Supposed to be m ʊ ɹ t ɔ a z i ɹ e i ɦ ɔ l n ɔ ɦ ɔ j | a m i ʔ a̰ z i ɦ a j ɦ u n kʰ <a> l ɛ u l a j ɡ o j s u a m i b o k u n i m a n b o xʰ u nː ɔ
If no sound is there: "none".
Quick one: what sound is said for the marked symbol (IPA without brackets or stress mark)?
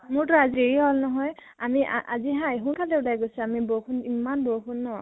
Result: a